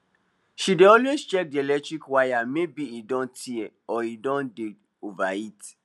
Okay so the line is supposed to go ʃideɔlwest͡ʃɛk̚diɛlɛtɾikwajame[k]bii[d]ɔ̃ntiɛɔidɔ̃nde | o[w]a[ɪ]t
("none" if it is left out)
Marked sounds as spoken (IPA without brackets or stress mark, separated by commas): none, d, v, i